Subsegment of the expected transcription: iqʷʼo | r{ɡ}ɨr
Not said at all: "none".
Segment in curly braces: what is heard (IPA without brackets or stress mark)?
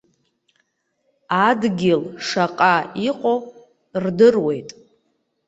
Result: d